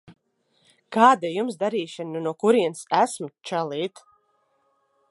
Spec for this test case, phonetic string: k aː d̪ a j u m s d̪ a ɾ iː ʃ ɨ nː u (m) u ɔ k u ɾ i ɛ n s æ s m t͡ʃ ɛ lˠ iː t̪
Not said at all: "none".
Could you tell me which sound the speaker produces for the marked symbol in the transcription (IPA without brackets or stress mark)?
n